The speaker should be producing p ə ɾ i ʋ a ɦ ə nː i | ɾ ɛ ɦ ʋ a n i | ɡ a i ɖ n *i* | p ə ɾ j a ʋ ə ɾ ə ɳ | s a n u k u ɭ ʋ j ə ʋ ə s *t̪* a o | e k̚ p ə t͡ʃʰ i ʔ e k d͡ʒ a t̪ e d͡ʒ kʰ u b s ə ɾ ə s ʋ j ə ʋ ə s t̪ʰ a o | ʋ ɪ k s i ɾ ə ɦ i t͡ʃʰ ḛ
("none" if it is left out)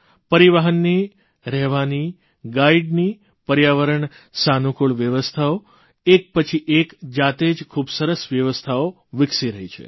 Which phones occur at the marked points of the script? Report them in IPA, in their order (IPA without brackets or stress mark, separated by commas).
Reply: i, t̪ʰ